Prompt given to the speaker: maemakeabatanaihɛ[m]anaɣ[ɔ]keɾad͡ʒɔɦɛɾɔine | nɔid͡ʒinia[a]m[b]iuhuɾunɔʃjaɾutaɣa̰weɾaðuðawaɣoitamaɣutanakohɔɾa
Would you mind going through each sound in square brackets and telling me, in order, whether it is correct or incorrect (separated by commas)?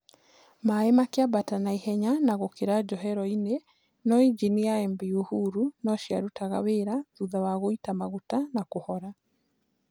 incorrect, incorrect, incorrect, correct